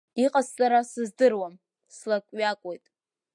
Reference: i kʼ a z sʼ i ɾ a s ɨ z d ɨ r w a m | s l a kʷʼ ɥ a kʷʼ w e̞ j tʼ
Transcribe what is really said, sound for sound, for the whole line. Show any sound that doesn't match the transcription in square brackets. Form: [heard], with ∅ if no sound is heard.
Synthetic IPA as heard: i [qʼ] a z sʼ [a] ɾ a s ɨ z d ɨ r w a m | s l a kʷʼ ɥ a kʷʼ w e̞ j tʼ

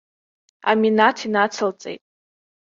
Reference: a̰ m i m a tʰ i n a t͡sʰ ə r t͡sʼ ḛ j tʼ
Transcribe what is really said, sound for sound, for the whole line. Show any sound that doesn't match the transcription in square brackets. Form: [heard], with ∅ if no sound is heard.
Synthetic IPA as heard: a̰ m i [n] a tʰ i n a t͡sʰ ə [l] t͡sʼ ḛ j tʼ

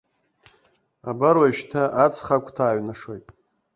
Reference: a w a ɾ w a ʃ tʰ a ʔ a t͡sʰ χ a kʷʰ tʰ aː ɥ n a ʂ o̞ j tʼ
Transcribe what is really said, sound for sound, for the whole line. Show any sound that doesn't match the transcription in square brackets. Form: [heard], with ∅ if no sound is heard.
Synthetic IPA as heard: a [b] a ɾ w a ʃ tʰ a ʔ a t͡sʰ χ a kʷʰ tʰ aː ɥ n a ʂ o̞ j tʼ

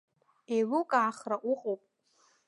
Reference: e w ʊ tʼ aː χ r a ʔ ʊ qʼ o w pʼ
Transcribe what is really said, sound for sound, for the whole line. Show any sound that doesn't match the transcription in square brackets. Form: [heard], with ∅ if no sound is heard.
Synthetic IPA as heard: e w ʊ [kʼ] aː χ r a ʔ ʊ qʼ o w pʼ

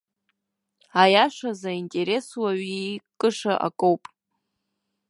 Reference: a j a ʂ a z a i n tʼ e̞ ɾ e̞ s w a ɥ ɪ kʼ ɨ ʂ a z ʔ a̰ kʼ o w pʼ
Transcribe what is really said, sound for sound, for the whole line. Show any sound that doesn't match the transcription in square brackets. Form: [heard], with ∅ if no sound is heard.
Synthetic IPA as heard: a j a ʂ a z a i n tʼ e̞ ɾ e̞ s w a ɥ [i] kʼ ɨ ʂ a [∅] ʔ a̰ kʼ o w pʼ

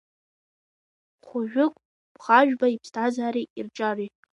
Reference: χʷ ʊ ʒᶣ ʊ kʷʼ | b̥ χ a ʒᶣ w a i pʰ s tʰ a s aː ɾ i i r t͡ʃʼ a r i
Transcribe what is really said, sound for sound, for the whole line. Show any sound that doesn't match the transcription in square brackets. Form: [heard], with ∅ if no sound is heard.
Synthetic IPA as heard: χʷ ʊ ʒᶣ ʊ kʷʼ | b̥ χ a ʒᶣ [b] a i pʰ s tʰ a [z] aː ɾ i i r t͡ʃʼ a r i

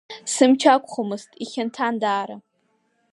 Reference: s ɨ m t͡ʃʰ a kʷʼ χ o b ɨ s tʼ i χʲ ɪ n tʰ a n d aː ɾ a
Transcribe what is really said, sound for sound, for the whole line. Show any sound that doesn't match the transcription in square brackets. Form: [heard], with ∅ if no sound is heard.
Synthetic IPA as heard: s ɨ m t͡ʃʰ a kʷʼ χ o [m] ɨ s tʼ i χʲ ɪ n tʰ a n d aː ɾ a

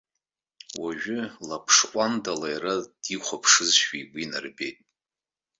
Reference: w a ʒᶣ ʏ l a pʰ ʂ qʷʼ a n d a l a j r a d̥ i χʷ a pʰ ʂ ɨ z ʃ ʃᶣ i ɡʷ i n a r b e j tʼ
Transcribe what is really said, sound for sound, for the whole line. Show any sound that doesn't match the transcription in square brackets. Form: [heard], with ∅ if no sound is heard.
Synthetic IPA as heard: w a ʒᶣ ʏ l a pʰ ʂ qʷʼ a n d a l a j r a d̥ i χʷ a pʰ ʂ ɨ z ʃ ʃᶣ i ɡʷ i n a r b e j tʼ

